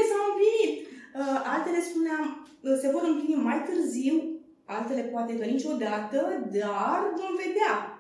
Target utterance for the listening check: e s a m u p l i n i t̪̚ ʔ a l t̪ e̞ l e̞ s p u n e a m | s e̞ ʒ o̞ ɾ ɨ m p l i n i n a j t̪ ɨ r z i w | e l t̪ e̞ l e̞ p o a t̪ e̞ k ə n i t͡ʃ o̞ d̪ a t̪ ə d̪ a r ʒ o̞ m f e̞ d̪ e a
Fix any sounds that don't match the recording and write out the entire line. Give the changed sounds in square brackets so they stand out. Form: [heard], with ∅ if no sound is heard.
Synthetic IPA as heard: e s a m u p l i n i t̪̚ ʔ a l t̪ e̞ l e̞ s p u n e a m | s e̞ [v] o̞ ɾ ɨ m p l i n i [m] a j t̪ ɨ r z i w | [a] l t̪ e̞ l e̞ p o a t̪ e̞ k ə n i t͡ʃ o̞ d̪ a t̪ ə d̪ a r [v] o̞ m [v] e̞ d̪ e a